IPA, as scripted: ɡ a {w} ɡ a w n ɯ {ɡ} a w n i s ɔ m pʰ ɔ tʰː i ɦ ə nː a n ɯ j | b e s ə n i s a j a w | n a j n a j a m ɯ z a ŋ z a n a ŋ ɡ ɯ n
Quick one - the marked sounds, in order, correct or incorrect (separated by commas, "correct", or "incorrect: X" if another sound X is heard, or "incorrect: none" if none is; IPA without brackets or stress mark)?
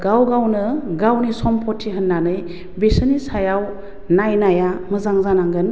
correct, correct